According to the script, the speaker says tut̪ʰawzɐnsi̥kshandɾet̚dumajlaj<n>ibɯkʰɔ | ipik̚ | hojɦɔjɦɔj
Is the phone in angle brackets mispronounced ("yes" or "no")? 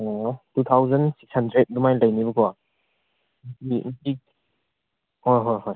no